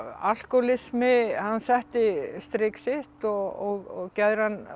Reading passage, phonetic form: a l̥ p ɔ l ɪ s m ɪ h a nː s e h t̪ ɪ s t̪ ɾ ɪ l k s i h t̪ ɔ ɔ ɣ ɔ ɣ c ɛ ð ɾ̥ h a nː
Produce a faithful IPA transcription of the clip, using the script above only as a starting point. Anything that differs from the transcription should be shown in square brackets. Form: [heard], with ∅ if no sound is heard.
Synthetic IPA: a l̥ [k] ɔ l ɪ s m ɪ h a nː s [ɛ] h t̪ ɪ s t̪ ɾ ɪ [∅] k s [ɪ] h t̪ ɔ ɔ ɣ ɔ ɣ c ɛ ð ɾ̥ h a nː